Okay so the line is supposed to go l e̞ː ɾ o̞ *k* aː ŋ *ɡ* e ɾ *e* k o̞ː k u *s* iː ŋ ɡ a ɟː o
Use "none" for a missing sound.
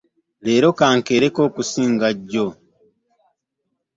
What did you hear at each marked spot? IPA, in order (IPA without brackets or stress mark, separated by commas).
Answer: k, k, e, s